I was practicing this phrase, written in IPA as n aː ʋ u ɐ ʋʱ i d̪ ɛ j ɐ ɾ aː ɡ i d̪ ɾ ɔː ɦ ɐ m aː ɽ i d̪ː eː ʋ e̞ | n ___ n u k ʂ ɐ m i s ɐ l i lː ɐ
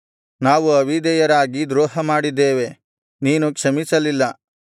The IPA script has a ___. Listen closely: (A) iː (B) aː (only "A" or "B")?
A